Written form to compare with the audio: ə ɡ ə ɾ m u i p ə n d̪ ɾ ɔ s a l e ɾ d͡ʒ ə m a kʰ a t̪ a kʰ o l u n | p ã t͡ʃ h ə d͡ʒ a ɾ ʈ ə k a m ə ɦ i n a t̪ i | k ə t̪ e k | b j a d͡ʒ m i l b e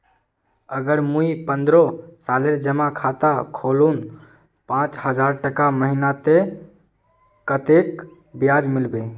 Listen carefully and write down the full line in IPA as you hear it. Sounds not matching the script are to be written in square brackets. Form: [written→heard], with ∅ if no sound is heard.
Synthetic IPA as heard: ə ɡ ə ɾ m u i p ə n d̪ ɾ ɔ s a l e ɾ d͡ʒ ə m a kʰ a t̪ a kʰ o l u n | p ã t͡ʃ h ə d͡ʒ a ɾ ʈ ə k a m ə ɦ i n a t̪ [i→e] | k ə t̪ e k | b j a d͡ʒ m i l b e